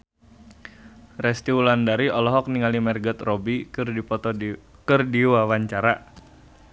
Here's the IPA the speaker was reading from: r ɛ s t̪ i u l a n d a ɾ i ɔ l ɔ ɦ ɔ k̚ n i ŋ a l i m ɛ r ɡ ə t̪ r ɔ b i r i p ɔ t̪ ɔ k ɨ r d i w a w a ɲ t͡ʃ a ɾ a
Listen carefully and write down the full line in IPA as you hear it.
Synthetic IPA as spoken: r ɛ s t̪ i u l a n d a ɾ i ɔ l ɔ ɦ ɔ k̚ n i ŋ a l i m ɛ r ɡ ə t̪ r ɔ b i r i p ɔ t̪ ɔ k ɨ r d i w a w a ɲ t͡ʃ a ɾ a